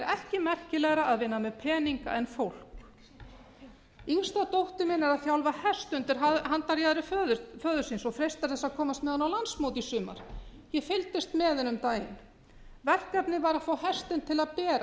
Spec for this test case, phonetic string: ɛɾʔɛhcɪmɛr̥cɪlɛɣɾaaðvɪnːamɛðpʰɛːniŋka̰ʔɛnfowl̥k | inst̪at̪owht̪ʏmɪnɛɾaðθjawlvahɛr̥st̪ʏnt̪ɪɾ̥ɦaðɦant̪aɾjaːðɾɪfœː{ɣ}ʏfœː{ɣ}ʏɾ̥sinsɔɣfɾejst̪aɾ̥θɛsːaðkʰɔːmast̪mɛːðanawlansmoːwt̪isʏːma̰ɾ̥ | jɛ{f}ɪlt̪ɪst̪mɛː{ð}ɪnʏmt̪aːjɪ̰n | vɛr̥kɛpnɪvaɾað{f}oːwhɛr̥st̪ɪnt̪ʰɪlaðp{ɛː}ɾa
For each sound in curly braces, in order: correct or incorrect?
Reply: incorrect: ð, incorrect: ð, correct, correct, correct, correct

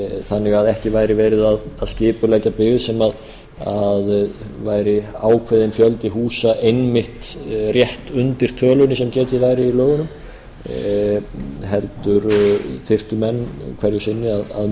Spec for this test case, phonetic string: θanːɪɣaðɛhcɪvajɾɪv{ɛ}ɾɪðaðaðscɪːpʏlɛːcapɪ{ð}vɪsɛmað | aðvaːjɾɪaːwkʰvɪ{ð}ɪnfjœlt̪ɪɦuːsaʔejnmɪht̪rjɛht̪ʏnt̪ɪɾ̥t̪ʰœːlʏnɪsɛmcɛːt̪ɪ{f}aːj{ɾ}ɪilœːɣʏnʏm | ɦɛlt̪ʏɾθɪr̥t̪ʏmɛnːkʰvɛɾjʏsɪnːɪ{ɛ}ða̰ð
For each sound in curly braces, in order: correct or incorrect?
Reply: incorrect: ɛː, incorrect: ɣ, correct, incorrect: v, correct, incorrect: a

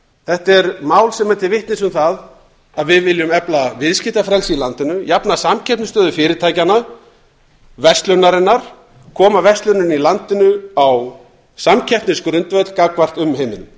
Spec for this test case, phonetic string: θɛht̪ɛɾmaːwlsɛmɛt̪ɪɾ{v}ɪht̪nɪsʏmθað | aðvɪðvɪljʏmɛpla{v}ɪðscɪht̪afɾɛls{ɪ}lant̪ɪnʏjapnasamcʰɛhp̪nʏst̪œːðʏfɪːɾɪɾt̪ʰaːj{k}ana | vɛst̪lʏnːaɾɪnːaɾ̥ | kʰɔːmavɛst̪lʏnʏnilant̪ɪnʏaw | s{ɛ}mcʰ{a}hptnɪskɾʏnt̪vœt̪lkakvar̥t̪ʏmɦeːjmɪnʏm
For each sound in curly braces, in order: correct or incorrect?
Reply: correct, correct, incorrect: i, incorrect: c, incorrect: a, incorrect: ɛ

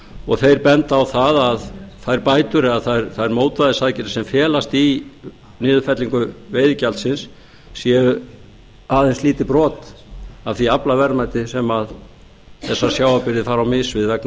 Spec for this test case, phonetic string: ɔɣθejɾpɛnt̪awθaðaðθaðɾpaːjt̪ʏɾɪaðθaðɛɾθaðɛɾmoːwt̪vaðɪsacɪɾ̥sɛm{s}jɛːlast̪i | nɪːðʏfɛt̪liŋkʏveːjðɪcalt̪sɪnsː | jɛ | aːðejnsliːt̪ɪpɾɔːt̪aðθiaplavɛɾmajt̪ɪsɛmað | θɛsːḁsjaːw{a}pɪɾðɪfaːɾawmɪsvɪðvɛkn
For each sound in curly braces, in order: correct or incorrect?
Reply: incorrect: f, correct

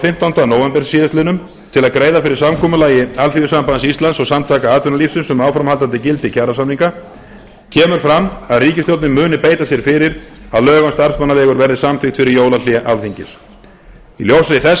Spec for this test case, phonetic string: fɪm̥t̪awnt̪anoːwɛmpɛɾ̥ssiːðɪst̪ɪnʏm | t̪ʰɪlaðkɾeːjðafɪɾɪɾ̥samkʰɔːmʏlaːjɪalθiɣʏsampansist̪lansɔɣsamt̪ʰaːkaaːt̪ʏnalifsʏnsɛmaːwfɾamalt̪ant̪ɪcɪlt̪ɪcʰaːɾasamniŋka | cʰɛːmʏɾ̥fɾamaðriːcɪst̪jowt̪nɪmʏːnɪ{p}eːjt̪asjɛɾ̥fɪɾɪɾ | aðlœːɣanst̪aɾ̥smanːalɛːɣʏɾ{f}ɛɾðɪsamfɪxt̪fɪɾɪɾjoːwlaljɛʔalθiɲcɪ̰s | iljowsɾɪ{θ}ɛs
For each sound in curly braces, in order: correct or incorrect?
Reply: correct, incorrect: v, correct

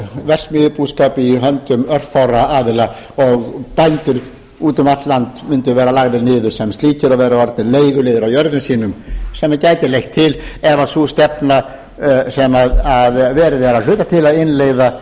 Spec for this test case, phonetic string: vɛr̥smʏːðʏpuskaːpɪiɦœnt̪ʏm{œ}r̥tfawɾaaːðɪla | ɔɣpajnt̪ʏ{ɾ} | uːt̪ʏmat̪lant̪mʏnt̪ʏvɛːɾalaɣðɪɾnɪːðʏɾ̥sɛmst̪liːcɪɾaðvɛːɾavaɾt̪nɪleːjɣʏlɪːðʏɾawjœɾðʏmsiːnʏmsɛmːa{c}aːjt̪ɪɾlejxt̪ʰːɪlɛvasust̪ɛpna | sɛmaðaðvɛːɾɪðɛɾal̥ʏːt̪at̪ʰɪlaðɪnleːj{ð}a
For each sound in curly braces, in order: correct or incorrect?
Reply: correct, correct, correct, correct

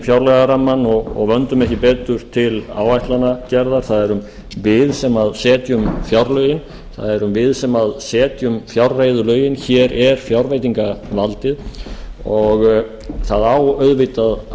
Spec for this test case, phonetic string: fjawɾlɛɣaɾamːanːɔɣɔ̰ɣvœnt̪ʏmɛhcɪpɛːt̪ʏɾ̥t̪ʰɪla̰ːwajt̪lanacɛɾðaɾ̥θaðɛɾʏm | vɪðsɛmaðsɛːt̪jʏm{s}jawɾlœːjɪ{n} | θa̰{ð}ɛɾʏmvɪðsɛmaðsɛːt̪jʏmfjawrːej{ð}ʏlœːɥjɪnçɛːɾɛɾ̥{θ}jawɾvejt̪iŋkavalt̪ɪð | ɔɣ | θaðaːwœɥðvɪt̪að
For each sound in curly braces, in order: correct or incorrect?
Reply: incorrect: f, correct, correct, correct, incorrect: f

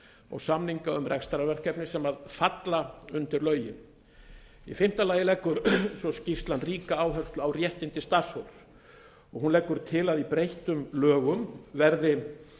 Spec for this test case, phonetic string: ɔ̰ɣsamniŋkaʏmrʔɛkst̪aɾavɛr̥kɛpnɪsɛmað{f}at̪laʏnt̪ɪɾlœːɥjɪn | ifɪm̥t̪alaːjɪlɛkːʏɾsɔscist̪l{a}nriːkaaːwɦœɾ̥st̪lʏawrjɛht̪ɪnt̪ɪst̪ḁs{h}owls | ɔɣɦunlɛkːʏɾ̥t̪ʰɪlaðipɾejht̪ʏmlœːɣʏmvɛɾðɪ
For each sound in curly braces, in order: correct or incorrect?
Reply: correct, correct, correct

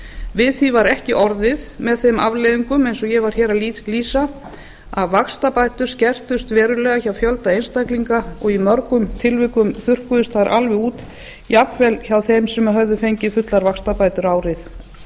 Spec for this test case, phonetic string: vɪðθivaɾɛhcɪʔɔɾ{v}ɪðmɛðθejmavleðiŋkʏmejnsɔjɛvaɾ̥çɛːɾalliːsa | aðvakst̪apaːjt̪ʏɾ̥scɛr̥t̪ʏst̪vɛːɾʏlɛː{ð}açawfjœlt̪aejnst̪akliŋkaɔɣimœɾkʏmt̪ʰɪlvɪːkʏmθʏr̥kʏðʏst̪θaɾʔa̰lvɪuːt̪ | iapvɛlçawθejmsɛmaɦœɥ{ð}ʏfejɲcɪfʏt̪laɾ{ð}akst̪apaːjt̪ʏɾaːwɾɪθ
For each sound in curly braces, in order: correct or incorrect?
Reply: incorrect: ð, incorrect: ɣ, correct, incorrect: v

